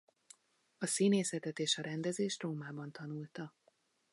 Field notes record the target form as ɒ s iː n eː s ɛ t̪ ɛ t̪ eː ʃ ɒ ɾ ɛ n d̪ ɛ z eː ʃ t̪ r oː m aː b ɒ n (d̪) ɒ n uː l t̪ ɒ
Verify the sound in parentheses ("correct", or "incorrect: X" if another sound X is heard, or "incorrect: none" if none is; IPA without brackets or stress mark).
incorrect: t̪